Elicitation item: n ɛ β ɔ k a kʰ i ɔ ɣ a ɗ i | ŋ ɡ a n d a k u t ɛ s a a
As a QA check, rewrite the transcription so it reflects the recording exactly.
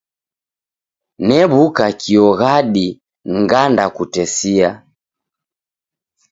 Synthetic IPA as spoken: n ɛ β u k a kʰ i ɔ ɣ a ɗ i | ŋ ɡ a n d a k u t ɛ s i a